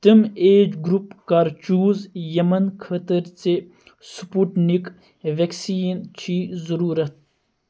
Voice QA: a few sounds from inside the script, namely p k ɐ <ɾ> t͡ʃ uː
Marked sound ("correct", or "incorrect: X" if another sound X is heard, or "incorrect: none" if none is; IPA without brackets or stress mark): correct